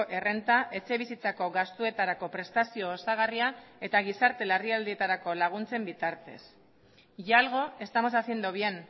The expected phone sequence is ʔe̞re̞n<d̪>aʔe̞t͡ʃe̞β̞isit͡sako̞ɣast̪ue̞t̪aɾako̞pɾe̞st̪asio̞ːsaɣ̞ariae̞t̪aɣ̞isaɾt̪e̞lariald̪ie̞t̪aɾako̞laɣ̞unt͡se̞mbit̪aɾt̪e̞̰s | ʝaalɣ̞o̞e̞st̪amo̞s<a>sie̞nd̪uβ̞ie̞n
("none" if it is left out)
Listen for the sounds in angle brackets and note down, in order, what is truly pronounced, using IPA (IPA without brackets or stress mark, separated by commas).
t̪, a